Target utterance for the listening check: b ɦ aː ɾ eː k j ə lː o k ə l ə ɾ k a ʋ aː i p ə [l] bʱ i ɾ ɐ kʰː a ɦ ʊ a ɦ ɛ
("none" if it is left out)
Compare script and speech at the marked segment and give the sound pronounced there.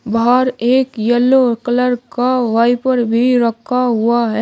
ɾ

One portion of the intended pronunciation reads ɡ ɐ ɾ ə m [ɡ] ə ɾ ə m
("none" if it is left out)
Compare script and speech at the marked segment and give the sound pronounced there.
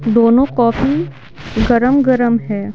ɡ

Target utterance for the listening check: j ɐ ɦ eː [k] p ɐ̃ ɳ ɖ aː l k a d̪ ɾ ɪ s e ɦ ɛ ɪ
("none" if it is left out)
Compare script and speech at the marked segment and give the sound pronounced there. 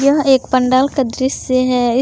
k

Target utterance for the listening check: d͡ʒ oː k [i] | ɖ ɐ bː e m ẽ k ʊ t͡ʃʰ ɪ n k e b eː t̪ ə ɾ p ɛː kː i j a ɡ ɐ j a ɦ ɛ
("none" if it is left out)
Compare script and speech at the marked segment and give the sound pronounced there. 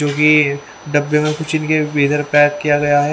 i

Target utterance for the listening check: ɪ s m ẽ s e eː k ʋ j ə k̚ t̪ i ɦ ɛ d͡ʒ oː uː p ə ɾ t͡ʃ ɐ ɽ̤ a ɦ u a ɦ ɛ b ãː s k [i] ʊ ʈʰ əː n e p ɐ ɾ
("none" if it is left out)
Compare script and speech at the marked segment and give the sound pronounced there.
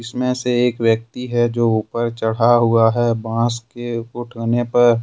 e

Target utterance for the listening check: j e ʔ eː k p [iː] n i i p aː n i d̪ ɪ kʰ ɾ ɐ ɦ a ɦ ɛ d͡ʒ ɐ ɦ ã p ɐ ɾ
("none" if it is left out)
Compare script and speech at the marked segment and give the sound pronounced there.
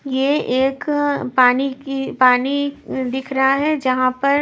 aː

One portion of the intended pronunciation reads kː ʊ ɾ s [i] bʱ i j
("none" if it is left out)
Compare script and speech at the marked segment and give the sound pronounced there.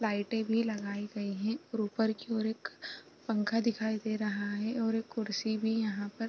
i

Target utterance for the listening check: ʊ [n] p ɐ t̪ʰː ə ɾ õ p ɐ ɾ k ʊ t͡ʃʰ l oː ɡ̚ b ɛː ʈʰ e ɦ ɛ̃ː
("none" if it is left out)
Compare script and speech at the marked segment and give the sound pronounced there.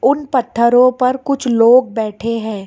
n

